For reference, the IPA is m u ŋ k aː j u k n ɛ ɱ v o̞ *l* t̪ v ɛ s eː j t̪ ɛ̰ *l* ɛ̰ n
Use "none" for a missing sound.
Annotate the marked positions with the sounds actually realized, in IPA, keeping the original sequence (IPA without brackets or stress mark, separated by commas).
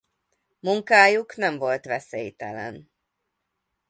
l, l